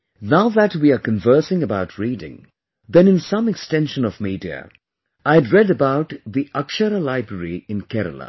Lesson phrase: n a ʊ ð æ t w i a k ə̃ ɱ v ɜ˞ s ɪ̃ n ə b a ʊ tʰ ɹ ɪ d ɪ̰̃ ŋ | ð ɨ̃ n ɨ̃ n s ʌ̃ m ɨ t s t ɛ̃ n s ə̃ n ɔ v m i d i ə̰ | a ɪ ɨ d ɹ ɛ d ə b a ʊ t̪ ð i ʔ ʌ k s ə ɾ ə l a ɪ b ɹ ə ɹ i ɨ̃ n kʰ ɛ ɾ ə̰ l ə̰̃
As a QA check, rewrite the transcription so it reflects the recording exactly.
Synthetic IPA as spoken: n a ʊ ð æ t w i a k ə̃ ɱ v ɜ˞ s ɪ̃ ŋ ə b a ʊ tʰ ɹ i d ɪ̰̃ ŋ | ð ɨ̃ n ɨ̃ n s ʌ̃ m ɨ k s t ɛ̃ n ʃ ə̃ n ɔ v m i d i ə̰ | a ɪ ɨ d ɹ ɛ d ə b a ʊ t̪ ð i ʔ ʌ k ʃ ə ɾ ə l a ɪ b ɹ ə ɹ i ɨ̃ n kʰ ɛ ɾ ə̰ l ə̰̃